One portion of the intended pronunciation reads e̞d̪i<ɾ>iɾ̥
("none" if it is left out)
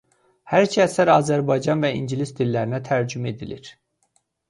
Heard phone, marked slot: l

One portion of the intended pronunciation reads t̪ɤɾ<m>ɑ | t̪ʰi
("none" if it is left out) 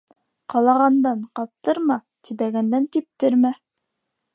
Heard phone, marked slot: m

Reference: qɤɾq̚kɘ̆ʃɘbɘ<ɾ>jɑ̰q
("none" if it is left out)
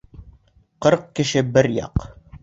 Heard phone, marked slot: ɾ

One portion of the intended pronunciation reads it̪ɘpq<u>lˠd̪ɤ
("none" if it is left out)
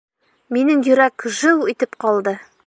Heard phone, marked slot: ɒ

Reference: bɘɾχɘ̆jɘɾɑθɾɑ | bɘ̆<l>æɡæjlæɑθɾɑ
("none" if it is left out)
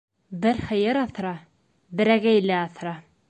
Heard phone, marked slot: ɾ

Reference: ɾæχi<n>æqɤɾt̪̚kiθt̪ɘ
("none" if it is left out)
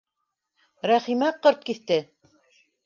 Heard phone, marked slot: m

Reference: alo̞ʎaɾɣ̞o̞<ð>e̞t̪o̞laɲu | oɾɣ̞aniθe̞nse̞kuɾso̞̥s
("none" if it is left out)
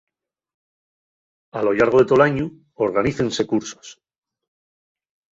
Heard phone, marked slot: ð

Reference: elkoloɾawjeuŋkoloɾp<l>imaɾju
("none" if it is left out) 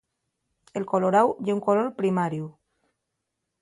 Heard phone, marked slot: ɾ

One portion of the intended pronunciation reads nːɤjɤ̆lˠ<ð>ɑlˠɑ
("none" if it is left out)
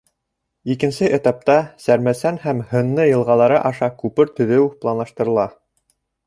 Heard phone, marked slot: ʁ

